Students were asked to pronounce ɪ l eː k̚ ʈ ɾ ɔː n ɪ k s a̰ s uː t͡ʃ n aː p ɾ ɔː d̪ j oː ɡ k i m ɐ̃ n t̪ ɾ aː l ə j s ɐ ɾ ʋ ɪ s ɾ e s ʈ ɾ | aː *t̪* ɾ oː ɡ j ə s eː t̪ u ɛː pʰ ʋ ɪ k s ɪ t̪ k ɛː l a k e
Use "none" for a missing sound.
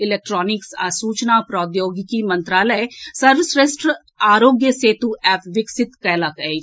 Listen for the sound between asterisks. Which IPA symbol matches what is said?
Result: none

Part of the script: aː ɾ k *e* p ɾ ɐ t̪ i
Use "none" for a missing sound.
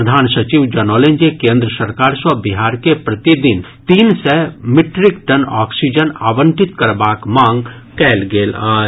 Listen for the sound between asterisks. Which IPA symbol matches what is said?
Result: e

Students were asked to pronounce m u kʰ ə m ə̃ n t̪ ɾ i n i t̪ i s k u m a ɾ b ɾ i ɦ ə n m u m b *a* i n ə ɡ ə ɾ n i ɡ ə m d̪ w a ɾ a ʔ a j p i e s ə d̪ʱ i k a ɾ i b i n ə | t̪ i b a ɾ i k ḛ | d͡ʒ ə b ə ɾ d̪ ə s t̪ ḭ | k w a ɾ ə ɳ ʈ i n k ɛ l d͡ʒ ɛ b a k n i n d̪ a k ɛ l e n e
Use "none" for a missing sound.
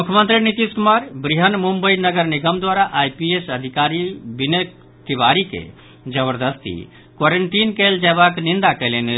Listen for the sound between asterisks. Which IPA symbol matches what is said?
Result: ə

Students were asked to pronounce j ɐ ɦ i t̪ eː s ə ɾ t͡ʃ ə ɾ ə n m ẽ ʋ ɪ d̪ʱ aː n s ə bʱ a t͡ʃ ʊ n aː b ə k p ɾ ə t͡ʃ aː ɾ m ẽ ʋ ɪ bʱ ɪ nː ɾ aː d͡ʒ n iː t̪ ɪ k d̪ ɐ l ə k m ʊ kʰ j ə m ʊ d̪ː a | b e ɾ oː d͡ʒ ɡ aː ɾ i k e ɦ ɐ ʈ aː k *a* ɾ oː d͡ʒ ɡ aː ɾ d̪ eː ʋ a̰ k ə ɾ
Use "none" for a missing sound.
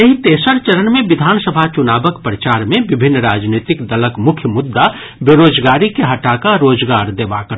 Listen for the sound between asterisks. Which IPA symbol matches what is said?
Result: a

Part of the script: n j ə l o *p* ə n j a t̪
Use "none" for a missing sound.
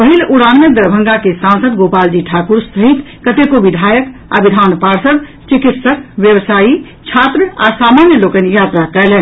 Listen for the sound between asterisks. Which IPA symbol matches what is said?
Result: k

